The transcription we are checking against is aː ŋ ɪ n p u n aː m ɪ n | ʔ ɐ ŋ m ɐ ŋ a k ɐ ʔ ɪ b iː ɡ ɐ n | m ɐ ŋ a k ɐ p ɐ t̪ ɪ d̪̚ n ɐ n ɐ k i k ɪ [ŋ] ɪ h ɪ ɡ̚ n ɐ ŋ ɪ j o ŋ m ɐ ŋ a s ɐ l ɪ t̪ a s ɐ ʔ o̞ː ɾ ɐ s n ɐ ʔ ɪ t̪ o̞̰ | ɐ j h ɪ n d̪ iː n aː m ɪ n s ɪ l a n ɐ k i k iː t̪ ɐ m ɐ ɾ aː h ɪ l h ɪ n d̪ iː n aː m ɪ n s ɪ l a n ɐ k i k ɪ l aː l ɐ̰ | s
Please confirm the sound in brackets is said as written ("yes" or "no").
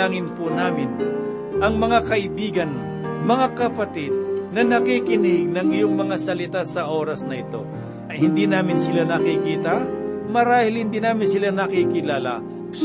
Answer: no